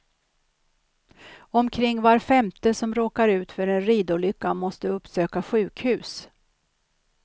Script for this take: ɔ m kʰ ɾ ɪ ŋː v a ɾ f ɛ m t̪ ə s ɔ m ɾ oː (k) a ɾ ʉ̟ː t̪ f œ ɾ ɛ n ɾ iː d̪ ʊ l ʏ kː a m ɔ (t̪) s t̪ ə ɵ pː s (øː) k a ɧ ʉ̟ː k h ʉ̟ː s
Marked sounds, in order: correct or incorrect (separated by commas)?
correct, incorrect, correct